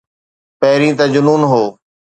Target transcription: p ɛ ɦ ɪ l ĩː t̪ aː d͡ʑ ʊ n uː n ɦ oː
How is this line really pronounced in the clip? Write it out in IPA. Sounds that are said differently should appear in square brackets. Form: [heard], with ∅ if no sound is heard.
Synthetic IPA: p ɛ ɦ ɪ [ɾ] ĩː t̪ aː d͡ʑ ʊ n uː n ɦ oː